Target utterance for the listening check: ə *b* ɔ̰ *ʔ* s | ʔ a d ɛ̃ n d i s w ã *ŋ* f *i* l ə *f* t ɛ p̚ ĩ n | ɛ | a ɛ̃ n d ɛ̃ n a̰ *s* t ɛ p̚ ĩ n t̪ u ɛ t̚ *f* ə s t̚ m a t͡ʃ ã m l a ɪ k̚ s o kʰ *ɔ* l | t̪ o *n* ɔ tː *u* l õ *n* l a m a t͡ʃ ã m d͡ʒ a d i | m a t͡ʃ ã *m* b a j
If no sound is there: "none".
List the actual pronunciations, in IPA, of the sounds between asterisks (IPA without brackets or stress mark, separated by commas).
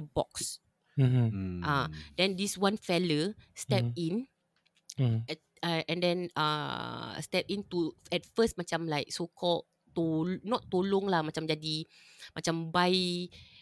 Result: b, k, n, ɛ, s, s, f, ɔ, n, o, ŋ, m